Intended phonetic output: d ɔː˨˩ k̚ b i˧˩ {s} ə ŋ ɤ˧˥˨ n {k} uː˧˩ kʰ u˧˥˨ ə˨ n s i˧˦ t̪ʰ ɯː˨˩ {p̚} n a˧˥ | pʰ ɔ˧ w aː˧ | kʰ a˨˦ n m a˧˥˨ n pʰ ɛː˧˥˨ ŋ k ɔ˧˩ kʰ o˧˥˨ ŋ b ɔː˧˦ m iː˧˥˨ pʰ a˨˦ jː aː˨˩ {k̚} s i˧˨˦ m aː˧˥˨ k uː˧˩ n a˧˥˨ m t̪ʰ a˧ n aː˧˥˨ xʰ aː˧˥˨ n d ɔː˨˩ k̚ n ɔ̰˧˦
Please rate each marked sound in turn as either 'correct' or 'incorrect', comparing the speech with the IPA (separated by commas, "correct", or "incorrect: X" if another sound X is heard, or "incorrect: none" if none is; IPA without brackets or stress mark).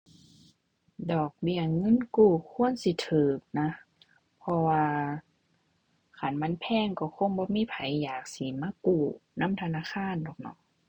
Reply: incorrect: none, correct, incorrect: k̚, correct